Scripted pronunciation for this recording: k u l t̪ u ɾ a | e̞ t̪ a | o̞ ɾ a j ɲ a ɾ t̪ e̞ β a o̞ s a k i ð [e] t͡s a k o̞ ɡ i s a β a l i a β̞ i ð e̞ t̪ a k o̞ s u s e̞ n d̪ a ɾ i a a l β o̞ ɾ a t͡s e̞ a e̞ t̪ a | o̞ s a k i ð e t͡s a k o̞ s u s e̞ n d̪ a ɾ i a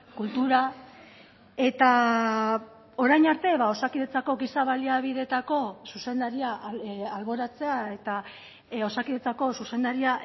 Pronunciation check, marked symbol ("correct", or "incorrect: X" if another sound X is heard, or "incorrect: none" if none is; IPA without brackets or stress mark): correct